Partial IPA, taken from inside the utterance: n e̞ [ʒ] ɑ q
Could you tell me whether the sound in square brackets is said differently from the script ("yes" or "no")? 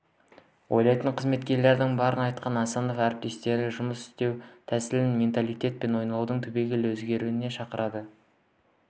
yes